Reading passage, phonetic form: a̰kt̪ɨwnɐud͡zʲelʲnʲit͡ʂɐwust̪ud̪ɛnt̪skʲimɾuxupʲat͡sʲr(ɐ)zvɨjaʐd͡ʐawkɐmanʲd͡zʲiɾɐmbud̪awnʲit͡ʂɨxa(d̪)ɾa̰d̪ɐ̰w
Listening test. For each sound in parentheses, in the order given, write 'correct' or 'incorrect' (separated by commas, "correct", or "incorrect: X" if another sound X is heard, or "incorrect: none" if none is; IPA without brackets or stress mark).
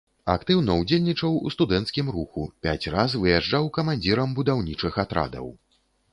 incorrect: a, incorrect: t̪